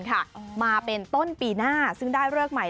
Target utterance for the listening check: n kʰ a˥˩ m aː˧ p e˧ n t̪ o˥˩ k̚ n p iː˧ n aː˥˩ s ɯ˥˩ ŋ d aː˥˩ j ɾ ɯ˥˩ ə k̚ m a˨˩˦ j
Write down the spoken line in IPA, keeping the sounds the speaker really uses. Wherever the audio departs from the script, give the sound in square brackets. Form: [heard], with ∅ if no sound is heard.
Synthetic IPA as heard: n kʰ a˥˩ m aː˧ p e˧ n t̪ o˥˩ [∅] n p iː˧ n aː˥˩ s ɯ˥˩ ŋ d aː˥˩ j ɾ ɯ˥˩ ə k̚ m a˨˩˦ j